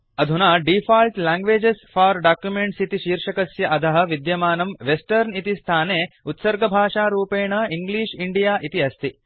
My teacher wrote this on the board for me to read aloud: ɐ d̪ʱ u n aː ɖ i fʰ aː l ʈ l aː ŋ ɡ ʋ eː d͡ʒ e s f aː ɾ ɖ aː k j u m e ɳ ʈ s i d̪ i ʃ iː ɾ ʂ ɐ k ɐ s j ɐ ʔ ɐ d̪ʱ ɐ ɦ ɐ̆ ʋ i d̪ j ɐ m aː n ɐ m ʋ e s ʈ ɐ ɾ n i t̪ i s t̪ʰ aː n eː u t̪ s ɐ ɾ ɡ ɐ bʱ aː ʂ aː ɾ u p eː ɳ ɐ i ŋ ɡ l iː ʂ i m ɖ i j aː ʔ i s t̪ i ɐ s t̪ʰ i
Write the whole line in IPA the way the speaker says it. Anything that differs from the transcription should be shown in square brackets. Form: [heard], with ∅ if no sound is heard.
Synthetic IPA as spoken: ɐ d̪ʱ u n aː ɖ i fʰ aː l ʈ l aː ŋ ɡ ʋ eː d͡ʒ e s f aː ɾ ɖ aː k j u m e ɳ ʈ s i [t̪] i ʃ iː ɾ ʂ ɐ k ɐ s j ɐ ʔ ɐ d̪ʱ ɐ ɦ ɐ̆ ʋ i d̪ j ɐ m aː n ɐ m ʋ e s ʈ ɐ ɾ n i t̪ i s t̪ʰ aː n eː u t̪ s ɐ ɾ ɡ ɐ bʱ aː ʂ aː ɾ [uː] p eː ɳ ɐ i ŋ ɡ l iː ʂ i [ɳ] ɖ i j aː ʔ i [∅] t̪ i ɐ s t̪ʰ i

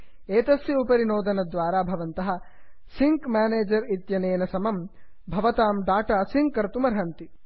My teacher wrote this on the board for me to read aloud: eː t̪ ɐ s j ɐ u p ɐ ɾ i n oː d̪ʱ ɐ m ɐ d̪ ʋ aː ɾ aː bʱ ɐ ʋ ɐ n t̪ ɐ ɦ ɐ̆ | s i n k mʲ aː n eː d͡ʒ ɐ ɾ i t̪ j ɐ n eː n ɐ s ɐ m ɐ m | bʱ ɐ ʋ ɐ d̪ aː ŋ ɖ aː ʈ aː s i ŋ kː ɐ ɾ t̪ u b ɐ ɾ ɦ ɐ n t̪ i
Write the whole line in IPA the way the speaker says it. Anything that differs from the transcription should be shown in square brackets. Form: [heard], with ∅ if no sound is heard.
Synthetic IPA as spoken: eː t̪ ɐ s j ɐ u p ɐ ɾ i n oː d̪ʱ ɐ [n] ɐ d̪ ʋ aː ɾ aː bʱ ɐ ʋ ɐ n t̪ ɐ ɦ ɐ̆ | s i [ŋ] k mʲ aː n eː d͡ʒ ɐ ɾ i t̪ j ɐ n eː n ɐ s ɐ m ɐ m | bʱ ɐ ʋ ɐ [t̪] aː [m] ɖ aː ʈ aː s i ŋ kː ɐ ɾ t̪ u [m] ɐ ɾ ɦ ɐ n t̪ i

